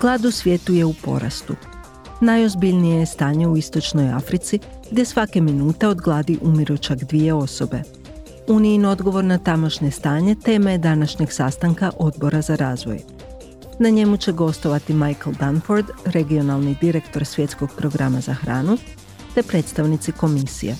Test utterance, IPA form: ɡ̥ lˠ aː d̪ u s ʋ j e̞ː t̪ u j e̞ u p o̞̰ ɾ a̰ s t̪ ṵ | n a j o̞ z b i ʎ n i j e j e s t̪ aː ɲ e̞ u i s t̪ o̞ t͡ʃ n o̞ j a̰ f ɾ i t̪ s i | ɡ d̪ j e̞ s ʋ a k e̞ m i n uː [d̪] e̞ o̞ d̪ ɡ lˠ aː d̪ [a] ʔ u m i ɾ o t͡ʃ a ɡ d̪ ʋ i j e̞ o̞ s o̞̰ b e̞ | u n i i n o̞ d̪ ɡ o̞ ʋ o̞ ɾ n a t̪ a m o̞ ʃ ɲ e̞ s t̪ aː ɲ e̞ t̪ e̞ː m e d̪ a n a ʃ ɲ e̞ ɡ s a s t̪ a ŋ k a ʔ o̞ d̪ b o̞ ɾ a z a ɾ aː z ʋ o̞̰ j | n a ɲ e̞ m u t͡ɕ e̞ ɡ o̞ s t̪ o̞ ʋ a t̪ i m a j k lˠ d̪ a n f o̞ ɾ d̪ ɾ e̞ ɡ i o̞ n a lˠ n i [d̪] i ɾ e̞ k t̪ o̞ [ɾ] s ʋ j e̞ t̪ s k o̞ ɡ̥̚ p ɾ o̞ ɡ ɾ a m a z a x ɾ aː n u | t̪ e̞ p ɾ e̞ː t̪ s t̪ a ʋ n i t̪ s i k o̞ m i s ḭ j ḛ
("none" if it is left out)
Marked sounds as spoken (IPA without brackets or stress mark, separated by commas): t̪, i, d̪, ɾ